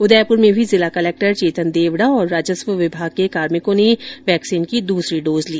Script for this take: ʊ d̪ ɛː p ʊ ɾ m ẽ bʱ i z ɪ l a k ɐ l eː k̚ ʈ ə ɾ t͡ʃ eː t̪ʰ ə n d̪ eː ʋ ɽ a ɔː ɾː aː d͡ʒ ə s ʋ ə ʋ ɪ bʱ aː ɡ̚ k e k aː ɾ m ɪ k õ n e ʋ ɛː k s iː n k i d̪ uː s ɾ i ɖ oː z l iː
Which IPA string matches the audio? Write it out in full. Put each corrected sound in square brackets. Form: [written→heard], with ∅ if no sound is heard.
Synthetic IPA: ʊ d̪ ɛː p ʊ ɾ m ẽ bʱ i z ɪ l a k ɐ l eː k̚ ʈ ə ɾ t͡ʃ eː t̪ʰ ə n d̪ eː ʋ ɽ a ɔː ɾː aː d͡ʒ ə s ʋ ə ʋ ɪ bʱ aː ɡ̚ k e k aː ɾ m ɪ k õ n e ʋ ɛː k s iː n k i d̪ uː s ɾ i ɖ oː z l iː